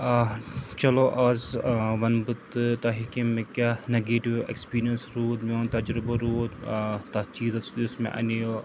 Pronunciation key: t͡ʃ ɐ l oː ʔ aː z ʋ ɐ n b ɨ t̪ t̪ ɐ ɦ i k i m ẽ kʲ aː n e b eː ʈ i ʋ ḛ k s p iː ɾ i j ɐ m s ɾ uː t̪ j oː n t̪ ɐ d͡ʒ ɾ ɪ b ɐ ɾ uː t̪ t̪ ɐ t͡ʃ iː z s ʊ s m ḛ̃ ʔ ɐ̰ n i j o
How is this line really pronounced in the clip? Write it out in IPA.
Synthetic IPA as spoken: t͡ʃ ɐ l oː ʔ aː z ʋ ɐ n b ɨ t̪ t̪ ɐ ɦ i k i m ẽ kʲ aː n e ɡ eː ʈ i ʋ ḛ k s p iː ɾ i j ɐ n s ɾ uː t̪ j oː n t̪ ɐ d͡ʒ ɾ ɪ b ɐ ɾ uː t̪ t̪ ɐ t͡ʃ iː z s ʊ s m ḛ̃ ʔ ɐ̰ n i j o